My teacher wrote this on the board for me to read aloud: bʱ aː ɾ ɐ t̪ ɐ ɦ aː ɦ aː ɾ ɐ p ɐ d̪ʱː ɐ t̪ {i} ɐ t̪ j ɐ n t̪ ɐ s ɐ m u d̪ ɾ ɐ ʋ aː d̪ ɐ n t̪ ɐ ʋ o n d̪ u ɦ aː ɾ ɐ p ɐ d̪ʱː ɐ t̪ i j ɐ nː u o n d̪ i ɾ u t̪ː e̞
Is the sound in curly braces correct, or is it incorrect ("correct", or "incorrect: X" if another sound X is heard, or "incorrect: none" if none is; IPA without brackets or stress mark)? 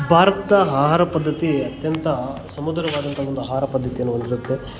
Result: correct